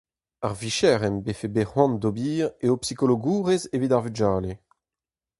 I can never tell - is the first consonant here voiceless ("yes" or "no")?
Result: no